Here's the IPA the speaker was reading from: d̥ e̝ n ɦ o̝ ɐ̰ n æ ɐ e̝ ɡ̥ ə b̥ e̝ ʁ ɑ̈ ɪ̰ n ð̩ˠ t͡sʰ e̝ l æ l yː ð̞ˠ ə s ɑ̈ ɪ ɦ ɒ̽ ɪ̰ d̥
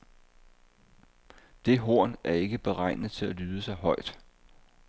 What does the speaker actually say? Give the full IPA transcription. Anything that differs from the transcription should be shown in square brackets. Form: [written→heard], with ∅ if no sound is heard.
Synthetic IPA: d̥ e̝ [n→∅] ɦ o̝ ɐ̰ n æ ɐ e̝ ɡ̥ ə b̥ e̝ ʁ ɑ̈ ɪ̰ n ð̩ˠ t͡sʰ e̝ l æ l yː ð̞ˠ ə s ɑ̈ ɪ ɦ ɒ̽ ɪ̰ d̥